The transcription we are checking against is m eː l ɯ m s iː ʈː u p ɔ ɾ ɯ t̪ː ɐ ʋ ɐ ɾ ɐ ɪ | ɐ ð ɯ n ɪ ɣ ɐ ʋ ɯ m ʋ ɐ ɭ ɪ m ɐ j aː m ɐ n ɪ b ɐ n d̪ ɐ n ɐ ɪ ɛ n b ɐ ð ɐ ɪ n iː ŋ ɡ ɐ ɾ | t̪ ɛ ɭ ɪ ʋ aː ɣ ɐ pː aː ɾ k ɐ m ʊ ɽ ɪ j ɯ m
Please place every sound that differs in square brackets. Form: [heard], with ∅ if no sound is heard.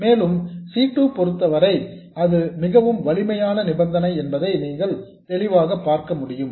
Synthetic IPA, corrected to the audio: m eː l ɯ m s iː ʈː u p ɔ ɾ ɯ t̪ː ɐ ʋ ɐ ɾ ɐ ɪ | ɐ ð ɯ [m] ɪ ɣ ɐ ʋ ɯ m ʋ ɐ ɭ ɪ m ɐ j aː [n] ɐ n ɪ b ɐ n d̪ ɐ n ɐ ɪ ɛ n b ɐ ð ɐ ɪ n iː ŋ ɡ ɐ [ɭ] | t̪ ɛ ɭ ɪ ʋ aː ɣ ɐ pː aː ɾ k ɐ m ʊ ɽ ɪ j ɯ m